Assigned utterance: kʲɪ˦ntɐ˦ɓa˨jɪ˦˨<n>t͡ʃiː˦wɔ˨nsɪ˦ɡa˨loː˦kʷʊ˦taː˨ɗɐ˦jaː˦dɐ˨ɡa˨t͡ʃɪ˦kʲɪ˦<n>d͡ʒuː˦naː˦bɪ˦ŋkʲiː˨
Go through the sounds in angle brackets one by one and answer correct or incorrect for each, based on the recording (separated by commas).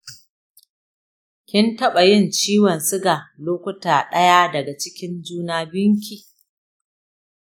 correct, correct